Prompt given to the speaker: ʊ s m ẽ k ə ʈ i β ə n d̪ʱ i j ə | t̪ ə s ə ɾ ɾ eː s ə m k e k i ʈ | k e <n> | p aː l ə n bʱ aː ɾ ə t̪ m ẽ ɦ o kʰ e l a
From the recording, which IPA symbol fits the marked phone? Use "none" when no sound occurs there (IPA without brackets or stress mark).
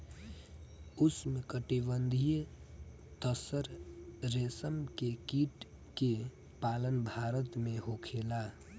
none